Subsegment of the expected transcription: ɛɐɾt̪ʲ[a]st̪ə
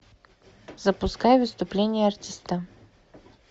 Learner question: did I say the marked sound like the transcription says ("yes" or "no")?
no